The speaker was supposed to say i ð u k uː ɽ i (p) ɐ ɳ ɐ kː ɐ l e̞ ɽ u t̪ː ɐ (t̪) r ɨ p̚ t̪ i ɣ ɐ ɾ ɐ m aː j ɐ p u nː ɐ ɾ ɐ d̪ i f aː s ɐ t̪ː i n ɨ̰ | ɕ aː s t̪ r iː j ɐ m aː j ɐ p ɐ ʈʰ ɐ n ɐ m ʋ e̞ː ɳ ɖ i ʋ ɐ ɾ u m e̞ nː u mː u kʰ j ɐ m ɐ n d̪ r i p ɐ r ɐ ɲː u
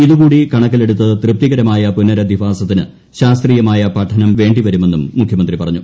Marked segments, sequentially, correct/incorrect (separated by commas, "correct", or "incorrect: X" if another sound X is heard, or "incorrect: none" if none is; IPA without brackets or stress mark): incorrect: k, correct